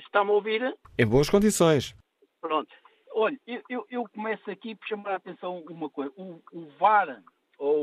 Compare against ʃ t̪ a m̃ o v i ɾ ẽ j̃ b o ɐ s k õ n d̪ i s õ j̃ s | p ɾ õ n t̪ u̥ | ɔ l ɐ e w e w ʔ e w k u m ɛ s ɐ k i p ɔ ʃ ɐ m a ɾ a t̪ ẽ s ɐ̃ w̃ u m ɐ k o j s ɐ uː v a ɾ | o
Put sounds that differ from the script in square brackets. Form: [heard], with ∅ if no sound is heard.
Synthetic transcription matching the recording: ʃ t̪ a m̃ o v i ɾ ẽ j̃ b o ɐ [ʃ] k õ n d̪ i s õ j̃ [ʃ] | p ɾ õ n t̪ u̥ | ɔ [ʎ] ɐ e w e w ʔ e w k u m ɛ s ɐ k i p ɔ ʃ ɐ m a ɾ a t̪ ẽ s ɐ̃ w̃ u m ɐ k o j [z] ɐ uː v a ɾ | o